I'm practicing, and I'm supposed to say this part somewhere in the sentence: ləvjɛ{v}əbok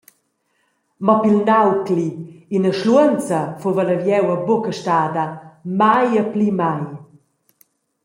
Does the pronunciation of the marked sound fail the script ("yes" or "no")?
yes